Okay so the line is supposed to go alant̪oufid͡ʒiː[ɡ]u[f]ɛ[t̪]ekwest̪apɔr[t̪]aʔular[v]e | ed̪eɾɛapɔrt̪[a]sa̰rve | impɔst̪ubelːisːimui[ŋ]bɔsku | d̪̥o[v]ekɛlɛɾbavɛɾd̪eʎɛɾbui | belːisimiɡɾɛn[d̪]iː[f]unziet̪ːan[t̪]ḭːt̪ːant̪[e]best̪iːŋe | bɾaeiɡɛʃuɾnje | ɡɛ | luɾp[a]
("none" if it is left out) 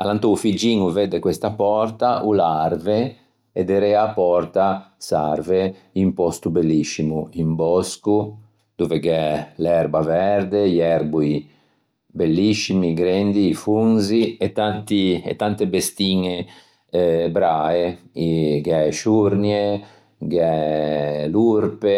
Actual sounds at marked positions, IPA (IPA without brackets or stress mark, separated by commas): ŋ, v, d̪, t̪, v, a, m, v, d̪, f, t̪, e, e